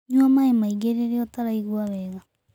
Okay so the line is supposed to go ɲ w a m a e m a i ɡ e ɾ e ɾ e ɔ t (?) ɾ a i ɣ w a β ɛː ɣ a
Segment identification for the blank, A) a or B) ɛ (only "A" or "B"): A